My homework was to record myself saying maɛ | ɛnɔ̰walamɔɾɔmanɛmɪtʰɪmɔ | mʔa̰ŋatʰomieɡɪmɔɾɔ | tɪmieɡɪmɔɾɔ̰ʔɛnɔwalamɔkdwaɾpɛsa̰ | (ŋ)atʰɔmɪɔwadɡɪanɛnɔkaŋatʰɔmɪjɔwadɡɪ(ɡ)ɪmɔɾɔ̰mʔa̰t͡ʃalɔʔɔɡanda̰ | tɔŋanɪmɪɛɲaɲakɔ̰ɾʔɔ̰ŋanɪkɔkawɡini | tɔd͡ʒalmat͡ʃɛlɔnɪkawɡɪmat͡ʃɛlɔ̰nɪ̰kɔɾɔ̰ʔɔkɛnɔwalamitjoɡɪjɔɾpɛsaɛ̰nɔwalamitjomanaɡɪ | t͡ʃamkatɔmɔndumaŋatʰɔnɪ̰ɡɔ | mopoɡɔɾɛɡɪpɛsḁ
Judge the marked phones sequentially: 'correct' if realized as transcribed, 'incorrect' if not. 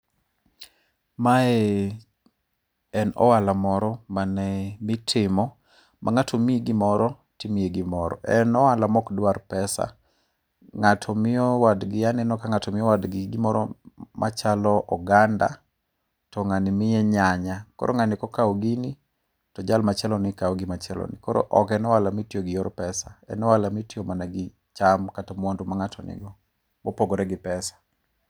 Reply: correct, correct

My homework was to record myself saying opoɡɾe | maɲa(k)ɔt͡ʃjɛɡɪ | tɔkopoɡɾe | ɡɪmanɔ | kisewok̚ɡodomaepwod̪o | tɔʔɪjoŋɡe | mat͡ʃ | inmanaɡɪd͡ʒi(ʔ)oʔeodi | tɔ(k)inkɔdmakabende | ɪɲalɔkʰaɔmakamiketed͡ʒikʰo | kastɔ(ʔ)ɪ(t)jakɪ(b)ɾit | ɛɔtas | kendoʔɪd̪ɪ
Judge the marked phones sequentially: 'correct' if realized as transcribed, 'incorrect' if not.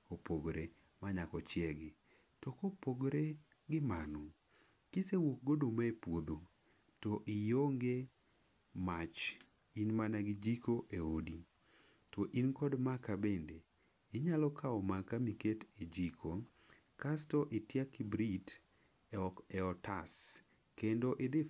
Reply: correct, incorrect, incorrect, correct, correct, correct

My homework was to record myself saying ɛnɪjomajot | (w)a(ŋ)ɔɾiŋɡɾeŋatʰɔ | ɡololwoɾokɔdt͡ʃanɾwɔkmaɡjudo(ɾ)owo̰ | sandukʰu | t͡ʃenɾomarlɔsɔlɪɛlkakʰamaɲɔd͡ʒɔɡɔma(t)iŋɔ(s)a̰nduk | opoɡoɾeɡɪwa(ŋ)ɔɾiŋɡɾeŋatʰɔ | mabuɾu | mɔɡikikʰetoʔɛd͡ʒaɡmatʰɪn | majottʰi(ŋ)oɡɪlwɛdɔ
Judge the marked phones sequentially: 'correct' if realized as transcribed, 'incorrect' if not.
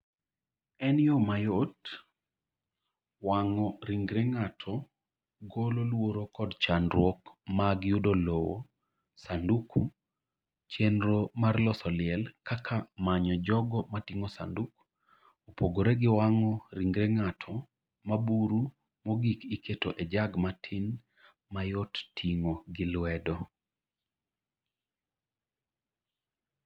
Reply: correct, correct, incorrect, correct, correct, correct, correct

